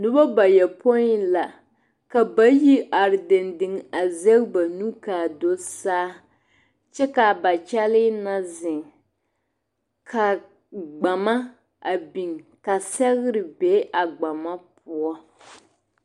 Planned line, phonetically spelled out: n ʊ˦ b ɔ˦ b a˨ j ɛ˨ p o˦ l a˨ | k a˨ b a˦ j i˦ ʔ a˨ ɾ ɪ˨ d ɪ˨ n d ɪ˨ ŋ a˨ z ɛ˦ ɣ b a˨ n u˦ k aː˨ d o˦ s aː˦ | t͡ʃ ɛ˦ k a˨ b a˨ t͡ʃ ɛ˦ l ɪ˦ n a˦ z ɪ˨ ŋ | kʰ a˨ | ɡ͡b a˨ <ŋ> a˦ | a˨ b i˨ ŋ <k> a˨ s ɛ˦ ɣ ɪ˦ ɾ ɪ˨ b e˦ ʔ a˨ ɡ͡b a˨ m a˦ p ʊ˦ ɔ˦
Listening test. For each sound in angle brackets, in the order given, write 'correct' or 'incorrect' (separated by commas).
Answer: incorrect, correct